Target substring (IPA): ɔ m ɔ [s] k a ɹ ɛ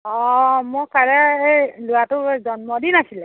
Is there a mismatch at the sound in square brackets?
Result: yes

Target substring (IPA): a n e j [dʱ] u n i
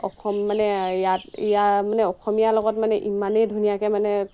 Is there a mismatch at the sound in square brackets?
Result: no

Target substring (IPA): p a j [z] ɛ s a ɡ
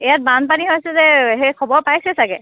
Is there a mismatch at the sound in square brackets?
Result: yes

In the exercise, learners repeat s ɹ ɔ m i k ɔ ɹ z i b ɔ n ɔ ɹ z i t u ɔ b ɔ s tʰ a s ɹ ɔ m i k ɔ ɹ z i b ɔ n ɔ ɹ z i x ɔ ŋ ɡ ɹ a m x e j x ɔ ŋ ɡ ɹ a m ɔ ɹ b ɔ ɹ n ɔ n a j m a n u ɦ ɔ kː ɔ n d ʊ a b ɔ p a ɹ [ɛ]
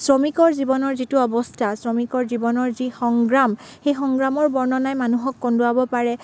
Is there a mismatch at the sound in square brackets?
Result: no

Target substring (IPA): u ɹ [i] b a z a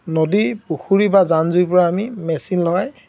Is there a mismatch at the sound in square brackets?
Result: no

